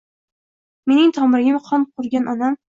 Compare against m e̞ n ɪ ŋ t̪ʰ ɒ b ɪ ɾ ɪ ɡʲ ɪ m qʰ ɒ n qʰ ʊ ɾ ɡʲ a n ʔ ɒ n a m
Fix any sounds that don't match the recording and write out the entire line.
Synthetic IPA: m e̞ n ɪ ŋ t̪ʰ ɒ m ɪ ɾ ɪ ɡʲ ɪ m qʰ ɒ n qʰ ʊ ɾ ɡʲ a n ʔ ɒ n a m